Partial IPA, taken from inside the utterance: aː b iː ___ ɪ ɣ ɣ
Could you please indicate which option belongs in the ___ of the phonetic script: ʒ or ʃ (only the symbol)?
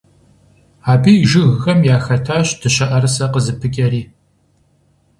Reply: ʒ